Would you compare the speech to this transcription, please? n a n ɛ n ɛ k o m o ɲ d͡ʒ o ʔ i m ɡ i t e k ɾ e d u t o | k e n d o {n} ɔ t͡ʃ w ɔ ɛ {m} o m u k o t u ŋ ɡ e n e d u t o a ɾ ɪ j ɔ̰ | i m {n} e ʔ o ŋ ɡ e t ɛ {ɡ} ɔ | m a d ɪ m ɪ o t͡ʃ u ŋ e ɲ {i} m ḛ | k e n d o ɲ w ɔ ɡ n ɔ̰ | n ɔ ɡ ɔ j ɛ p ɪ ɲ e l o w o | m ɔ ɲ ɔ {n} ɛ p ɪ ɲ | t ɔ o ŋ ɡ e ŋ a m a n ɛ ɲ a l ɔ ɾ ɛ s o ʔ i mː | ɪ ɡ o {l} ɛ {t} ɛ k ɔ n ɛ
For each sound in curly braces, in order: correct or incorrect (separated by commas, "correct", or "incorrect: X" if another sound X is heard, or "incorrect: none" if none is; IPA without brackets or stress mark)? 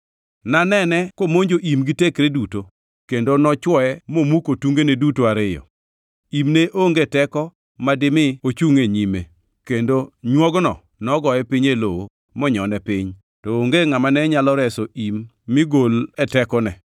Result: correct, correct, correct, incorrect: k, correct, correct, correct, correct